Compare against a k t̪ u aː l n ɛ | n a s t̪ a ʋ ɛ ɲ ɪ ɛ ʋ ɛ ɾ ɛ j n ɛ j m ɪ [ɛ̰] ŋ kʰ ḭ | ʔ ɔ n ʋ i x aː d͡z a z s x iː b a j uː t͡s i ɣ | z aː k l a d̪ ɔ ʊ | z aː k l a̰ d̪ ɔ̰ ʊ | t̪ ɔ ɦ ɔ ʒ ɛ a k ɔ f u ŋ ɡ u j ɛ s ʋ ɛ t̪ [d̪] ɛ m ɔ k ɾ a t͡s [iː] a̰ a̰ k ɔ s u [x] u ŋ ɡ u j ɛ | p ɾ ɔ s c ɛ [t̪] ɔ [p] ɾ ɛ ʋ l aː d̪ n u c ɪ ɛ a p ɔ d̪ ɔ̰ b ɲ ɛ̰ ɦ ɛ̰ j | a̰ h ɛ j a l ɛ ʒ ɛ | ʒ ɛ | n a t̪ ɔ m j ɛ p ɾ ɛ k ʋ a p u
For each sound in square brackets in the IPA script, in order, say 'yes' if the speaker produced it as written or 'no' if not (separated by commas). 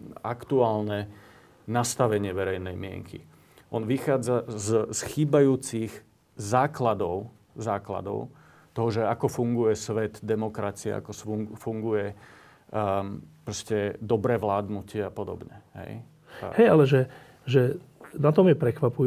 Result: yes, yes, no, no, no, no